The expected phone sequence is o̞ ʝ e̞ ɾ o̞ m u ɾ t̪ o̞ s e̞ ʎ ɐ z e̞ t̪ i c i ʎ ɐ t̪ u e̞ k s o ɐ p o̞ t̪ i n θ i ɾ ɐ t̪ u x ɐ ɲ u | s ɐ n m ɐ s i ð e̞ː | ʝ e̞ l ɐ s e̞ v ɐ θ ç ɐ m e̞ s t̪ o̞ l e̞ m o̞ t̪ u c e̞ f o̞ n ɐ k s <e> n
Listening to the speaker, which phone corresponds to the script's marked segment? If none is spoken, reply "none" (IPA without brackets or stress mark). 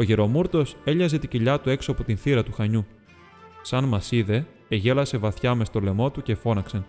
e